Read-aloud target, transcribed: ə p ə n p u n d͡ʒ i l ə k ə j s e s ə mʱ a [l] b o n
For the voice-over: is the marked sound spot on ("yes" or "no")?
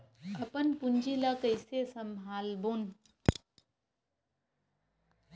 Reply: yes